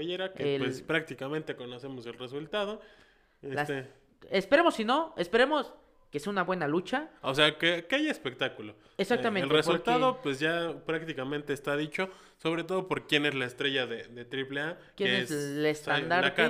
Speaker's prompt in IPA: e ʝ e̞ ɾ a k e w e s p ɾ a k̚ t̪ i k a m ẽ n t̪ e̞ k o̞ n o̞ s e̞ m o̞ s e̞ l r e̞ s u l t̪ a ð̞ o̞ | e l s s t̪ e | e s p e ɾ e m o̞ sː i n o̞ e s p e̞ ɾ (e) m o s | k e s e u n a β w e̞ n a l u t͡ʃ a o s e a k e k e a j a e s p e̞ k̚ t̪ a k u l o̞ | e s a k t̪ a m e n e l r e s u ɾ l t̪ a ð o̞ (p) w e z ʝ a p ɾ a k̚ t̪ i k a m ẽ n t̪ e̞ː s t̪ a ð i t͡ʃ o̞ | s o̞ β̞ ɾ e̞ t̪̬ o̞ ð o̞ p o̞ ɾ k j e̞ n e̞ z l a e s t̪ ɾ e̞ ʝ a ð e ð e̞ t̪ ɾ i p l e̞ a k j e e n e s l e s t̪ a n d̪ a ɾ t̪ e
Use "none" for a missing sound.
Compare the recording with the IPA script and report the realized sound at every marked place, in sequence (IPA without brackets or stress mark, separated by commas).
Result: e, p